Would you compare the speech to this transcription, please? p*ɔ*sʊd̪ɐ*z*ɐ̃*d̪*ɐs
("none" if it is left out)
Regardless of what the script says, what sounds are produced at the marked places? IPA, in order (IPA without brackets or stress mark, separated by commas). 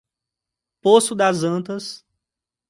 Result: o, z, t̪